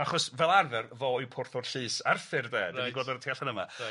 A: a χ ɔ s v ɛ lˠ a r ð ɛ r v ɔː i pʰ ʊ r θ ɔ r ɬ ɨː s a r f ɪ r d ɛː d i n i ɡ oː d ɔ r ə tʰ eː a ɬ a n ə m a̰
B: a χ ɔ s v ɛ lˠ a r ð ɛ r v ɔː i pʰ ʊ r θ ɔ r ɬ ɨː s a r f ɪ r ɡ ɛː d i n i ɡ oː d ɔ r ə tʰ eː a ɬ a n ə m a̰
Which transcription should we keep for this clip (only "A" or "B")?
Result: A